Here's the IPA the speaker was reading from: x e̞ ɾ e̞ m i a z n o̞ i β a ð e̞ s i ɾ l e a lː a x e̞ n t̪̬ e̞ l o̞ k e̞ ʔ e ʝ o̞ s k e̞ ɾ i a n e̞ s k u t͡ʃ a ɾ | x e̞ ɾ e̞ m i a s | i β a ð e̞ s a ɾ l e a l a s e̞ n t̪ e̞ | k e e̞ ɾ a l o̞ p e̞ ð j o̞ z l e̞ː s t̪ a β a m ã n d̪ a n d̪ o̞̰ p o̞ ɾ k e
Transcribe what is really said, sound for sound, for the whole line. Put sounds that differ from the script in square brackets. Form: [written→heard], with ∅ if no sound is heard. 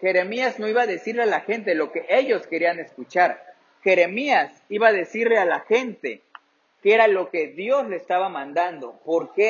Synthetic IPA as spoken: x e̞ ɾ e̞ m i a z n o̞ i β a ð e̞ s i ɾ l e a [lː→l] a x e̞ n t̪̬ e̞ l o̞ k e̞ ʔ e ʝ o̞ s k e̞ ɾ i a n e̞ s k u t͡ʃ a ɾ | x e̞ ɾ e̞ m i a s | i β a ð e̞ s [a→i] ɾ l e a l a [s→x] e̞ n t̪ e̞ | k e e̞ ɾ a l o̞ [p→k] e̞ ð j o̞ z l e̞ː s t̪ a β a m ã n d̪ a n d̪ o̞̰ p o̞ ɾ k e